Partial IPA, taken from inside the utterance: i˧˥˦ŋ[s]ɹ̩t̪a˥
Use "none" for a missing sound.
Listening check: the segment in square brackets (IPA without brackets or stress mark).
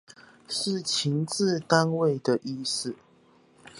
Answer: t͡s